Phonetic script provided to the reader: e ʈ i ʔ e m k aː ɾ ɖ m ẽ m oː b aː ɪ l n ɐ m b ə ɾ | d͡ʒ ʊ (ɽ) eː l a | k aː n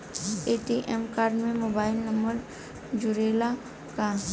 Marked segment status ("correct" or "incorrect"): incorrect